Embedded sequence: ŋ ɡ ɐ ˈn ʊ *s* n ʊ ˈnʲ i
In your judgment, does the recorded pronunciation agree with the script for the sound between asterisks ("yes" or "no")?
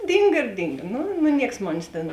no